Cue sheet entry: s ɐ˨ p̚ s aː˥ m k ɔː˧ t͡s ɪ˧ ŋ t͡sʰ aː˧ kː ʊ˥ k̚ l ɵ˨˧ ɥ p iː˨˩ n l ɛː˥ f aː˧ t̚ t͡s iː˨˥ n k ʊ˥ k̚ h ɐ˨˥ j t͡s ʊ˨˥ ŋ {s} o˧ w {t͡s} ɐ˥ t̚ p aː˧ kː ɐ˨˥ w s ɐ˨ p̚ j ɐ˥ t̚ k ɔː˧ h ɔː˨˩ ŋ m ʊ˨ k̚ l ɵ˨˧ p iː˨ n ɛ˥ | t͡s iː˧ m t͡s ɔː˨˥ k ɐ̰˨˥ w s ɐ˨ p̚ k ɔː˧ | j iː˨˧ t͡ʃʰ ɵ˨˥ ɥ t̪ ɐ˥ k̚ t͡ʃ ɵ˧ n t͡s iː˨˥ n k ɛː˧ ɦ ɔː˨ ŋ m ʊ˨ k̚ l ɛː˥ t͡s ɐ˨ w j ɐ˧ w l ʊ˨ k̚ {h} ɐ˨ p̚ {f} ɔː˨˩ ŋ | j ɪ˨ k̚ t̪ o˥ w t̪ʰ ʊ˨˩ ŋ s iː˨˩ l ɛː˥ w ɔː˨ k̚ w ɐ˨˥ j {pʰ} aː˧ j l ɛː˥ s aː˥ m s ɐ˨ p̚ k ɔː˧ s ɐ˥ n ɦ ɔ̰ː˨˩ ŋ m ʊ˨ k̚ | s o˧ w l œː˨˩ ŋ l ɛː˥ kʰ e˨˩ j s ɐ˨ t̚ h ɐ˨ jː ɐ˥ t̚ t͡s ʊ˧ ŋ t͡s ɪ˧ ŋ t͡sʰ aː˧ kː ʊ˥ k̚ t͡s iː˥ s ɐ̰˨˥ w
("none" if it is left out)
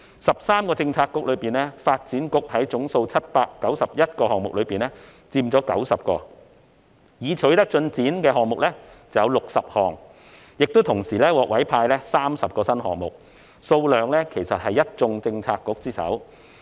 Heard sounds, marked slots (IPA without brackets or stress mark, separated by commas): s, t͡sʰ, s, h, pʰ